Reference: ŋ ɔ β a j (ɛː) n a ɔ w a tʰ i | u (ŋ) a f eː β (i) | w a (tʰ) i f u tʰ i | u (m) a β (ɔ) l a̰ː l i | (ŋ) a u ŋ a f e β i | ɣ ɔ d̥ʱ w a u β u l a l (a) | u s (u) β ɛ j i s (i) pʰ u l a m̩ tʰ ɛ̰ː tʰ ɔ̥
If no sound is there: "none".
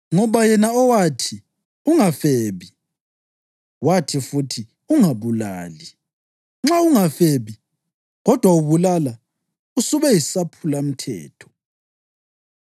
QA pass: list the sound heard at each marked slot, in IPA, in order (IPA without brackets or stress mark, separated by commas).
ɛ, ŋ, i, tʰ, ŋ, u, ŋ͡ǁ, a, u, a